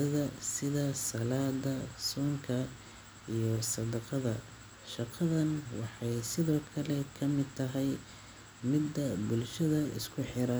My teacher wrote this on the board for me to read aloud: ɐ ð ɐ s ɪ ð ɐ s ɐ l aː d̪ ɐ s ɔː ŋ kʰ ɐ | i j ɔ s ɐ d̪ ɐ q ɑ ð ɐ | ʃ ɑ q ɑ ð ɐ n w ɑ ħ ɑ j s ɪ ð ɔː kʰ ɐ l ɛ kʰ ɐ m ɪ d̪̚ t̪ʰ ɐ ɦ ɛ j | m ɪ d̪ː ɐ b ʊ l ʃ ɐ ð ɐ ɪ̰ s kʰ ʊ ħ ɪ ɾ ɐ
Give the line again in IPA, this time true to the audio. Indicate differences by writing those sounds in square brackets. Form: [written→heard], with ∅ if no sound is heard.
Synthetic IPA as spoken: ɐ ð ɐ s ɪ ð ɐ s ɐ l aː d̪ ɐ s ɔː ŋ kʰ ɐ | i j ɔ s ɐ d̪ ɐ q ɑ ð ɐ | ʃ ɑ q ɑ ð ɐ n w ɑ ħ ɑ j s ɪ ð ɔː kʰ ɐ l ɛ kʰ ɐ m ɪ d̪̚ t̪ʰ ɐ ɦ ɛ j | m ɪ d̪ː ɐ b ʊ l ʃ ɐ ð ɐ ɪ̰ s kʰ ʊ ħ ɪ ɾ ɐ

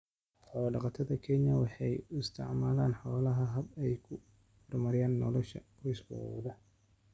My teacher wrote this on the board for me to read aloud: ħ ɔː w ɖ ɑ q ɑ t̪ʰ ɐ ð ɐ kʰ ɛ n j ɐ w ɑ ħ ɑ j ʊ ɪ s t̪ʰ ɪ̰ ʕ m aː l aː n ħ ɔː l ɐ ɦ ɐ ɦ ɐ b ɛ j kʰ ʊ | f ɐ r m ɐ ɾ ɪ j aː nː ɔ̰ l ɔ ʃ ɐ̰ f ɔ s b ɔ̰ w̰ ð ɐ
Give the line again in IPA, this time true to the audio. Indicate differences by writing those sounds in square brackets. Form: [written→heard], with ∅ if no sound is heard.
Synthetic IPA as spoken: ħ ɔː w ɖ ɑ q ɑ t̪ʰ ɐ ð ɐ kʰ ɛ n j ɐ w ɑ ħ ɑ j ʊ ɪ s t̪ʰ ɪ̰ ʕ m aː l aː n ħ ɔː l ɐ ɦ ɐ ɦ ɐ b ɛ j kʰ ʊ | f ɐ r m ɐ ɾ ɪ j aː nː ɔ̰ l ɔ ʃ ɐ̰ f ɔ s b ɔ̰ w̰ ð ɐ

